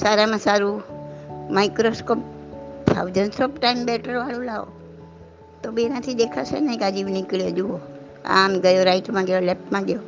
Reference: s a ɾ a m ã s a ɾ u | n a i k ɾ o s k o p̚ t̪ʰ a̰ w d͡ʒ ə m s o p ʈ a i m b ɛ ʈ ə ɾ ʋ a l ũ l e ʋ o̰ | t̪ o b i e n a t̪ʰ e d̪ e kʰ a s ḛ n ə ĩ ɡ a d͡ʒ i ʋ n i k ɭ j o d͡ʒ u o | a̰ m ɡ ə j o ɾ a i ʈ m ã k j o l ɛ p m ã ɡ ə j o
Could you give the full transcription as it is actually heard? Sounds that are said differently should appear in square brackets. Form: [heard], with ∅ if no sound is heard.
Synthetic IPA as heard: s a ɾ a m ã s a ɾ u | [m] a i k ɾ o s k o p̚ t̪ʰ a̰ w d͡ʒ ə [n] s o p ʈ a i m b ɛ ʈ ə ɾ ʋ a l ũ l [a] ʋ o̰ | t̪ o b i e n a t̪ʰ [i] d̪ e kʰ a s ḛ n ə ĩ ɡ a d͡ʒ i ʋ n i k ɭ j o d͡ʒ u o | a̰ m ɡ ə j o ɾ a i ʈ m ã [ɡ] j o l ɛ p m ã ɡ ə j o